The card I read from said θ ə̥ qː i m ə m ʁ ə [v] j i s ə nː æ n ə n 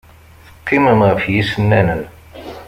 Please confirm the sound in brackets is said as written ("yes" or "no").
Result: no